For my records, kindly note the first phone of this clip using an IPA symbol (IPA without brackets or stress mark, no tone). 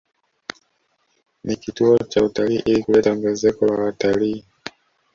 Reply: n